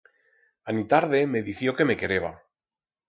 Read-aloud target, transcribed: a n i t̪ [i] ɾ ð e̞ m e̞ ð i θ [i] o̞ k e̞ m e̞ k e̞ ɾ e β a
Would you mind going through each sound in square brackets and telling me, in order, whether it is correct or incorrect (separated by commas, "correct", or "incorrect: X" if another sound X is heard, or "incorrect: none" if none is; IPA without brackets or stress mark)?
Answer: incorrect: a, incorrect: j